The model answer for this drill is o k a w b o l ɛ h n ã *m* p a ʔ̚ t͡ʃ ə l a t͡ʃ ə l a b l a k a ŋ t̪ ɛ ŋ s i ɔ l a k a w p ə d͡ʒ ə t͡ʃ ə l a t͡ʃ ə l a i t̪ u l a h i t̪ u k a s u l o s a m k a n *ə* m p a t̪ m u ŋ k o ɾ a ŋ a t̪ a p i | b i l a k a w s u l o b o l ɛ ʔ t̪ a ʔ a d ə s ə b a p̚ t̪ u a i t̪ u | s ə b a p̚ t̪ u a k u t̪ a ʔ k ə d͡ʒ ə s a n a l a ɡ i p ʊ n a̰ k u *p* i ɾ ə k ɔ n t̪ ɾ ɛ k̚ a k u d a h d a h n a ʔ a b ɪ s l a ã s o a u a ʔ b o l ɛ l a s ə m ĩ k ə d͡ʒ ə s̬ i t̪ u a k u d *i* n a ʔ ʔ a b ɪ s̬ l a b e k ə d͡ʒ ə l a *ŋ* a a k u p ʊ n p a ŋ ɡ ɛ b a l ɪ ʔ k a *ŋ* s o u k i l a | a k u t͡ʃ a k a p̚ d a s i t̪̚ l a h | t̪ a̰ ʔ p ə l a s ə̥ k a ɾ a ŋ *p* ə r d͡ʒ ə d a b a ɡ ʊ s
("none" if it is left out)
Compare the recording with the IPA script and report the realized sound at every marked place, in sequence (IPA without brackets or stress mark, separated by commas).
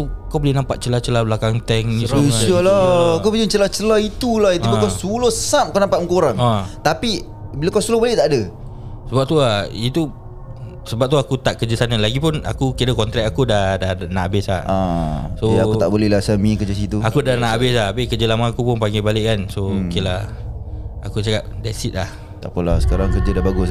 m, a, k, a, m, n, k